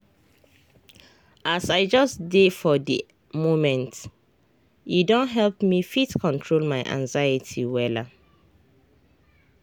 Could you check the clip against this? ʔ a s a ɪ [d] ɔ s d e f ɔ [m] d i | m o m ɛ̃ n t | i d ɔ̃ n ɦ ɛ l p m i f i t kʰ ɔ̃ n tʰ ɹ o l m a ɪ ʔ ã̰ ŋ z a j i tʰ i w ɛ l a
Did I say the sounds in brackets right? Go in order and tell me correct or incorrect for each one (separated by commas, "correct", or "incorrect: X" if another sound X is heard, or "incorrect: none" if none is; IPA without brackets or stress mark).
incorrect: d͡ʒ, incorrect: none